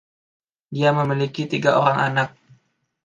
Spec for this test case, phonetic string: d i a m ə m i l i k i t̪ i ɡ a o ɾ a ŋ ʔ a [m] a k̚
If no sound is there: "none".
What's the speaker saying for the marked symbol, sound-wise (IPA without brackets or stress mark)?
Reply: n